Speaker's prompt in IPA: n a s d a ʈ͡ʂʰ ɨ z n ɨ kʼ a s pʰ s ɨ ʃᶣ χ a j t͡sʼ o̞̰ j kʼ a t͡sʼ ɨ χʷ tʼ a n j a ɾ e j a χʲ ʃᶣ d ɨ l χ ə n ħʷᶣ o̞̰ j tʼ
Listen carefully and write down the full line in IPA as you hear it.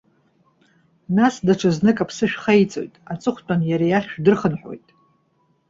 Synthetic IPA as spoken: n a s d a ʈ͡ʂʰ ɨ z n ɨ kʼ a pʰ s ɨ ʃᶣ χ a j t͡sʼ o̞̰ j tʼ a t͡sʼ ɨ χʷ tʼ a n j a ɾ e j a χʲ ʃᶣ d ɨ r χ ə n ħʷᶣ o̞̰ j tʼ